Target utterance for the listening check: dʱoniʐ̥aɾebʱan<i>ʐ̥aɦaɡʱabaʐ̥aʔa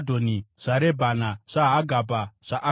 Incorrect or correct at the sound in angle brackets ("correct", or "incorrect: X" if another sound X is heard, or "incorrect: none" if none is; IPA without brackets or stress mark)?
incorrect: a